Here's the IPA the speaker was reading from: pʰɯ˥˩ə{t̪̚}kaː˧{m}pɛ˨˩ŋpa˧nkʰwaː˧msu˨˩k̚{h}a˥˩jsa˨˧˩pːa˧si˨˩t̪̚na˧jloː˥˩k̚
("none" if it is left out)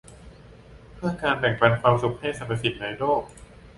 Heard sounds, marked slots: none, n, h

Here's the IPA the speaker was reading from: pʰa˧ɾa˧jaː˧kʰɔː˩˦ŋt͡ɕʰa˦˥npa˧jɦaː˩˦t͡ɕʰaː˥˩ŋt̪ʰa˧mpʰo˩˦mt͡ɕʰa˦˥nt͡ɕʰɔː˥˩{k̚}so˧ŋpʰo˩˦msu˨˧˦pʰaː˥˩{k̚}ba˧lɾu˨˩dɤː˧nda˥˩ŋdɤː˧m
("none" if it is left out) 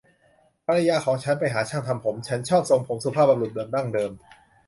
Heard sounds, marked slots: p̚, p̚

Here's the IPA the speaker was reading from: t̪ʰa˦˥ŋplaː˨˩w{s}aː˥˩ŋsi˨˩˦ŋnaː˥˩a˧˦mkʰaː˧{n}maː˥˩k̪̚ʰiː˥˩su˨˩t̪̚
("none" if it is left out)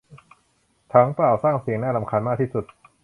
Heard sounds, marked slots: s, n

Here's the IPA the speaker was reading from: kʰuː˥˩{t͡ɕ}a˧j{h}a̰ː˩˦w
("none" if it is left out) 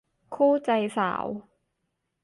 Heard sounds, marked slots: t͡ɕ, s

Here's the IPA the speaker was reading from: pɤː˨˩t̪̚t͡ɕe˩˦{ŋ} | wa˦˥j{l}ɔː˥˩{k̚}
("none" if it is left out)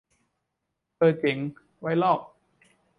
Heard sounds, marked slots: ŋ, l, p̚

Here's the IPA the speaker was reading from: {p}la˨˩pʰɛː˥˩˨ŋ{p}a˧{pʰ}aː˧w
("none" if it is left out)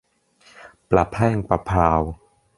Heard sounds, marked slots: p, p, pʰ

